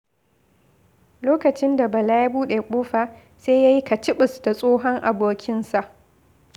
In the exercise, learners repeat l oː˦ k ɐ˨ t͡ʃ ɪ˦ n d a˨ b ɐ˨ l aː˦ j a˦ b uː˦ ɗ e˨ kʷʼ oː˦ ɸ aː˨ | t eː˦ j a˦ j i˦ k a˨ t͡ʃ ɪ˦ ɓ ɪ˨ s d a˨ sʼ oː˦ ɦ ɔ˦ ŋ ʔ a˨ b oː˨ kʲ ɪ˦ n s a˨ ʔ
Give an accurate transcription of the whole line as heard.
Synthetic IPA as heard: l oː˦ k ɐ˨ t͡ʃ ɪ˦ n d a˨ b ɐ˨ l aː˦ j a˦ b uː˦ ɗ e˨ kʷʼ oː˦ ɸ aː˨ | s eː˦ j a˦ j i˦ k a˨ t͡ʃ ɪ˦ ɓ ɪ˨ s d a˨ sʼ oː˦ ɦ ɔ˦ ŋ ʔ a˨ b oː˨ kʲ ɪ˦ n s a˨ ʔ

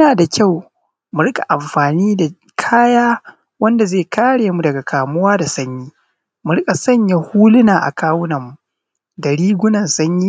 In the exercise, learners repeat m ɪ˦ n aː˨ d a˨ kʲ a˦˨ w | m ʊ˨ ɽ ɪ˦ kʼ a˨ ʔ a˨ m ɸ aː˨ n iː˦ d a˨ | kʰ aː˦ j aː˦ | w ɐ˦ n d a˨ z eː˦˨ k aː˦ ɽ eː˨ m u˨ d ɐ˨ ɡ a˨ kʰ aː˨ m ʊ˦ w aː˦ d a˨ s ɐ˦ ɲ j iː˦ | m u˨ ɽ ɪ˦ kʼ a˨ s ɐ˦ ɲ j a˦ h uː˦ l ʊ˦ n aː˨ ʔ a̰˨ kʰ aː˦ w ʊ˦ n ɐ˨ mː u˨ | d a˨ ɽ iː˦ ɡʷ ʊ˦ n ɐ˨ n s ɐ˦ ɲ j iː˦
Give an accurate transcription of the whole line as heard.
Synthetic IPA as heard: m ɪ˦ n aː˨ d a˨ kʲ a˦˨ w | m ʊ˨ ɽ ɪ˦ kʼ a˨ ʔ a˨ m ɸ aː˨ n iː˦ d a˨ | kʰ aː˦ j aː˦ | w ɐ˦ n d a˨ z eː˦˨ k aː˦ ɽ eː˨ m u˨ d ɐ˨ ɡ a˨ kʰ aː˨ m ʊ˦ w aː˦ d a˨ s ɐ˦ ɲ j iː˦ | m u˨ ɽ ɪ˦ kʼ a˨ s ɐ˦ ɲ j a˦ h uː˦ l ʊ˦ n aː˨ ʔ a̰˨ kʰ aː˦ w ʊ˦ n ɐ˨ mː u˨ | d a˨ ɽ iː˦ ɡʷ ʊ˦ n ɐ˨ n s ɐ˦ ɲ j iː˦

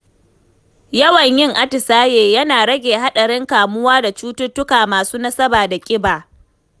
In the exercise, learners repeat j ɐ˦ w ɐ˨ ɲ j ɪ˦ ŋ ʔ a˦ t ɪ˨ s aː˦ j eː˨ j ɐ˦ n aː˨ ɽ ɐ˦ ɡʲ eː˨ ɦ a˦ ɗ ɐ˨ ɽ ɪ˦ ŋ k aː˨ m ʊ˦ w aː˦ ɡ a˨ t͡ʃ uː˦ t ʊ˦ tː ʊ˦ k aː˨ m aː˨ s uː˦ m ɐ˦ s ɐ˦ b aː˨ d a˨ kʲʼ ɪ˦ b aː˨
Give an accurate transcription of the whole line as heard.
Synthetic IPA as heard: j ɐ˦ w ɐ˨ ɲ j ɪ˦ ŋ ʔ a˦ t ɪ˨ s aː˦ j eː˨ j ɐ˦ n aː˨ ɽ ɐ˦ ɡʲ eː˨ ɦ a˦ ɗ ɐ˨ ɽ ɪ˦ ŋ k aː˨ m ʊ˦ w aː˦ d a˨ t͡ʃ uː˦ t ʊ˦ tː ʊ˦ k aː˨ m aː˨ s uː˦ n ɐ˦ s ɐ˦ b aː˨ d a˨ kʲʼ ɪ˦ b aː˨

